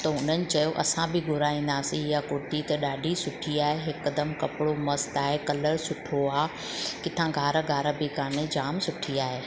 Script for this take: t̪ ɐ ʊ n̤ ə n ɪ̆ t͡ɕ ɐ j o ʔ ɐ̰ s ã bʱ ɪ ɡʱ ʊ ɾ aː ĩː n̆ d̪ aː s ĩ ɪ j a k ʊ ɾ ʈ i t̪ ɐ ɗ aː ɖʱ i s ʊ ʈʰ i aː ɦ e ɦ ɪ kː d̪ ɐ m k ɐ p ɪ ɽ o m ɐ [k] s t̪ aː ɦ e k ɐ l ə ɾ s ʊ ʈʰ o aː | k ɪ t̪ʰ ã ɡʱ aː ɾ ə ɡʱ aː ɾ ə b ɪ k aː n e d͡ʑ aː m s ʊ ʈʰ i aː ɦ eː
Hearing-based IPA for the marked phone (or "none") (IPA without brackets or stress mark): none